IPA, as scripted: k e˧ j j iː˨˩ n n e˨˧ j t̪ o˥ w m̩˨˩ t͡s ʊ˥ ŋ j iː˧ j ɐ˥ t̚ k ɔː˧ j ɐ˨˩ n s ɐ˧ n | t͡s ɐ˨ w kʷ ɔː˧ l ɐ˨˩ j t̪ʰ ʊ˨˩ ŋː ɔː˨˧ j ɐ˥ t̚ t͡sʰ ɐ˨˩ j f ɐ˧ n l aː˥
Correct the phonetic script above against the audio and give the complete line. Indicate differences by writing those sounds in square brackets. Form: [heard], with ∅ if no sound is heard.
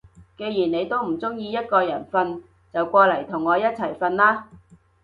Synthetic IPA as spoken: k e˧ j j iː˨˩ n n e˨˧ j t̪ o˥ w m̩˨˩ t͡s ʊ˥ ŋ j iː˧ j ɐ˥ t̚ k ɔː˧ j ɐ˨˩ n [f] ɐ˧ n | t͡s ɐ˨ w kʷ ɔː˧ l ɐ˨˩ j t̪ʰ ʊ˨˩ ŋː ɔː˨˧ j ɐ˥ t̚ t͡sʰ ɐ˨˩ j f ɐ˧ n l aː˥